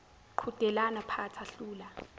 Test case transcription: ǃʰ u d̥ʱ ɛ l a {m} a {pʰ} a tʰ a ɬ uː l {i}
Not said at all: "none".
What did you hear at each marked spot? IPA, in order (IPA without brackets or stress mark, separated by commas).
n, pʰ, a